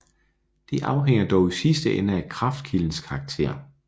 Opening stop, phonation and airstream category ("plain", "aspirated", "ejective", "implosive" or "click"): plain